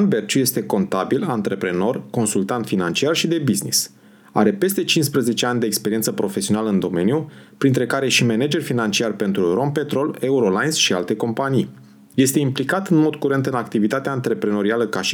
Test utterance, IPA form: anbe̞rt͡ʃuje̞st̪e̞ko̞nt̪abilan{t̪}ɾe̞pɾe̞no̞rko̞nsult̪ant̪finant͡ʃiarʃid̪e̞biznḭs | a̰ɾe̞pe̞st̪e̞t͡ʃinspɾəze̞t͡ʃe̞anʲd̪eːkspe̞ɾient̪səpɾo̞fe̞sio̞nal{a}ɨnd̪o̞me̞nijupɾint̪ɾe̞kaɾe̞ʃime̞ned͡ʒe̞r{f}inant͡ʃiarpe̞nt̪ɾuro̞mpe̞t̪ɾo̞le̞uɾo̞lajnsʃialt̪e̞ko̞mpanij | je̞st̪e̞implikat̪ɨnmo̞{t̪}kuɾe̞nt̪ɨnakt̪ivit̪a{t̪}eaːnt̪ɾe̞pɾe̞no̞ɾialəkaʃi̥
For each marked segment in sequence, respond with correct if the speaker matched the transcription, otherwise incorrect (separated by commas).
correct, incorrect, correct, incorrect, correct